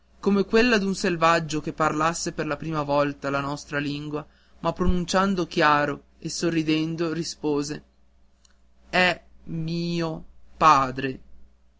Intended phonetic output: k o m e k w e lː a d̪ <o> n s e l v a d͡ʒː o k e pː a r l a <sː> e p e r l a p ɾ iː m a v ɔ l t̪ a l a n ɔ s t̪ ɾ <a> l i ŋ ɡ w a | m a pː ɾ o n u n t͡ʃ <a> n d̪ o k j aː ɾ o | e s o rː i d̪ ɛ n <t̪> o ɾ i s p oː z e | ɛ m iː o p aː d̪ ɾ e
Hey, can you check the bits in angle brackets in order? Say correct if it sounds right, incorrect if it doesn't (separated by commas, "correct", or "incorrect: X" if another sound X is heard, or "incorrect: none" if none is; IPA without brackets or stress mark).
incorrect: u, correct, correct, correct, incorrect: d̪